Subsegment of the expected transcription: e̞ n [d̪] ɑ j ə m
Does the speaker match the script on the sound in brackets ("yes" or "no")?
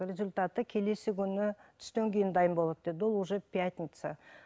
yes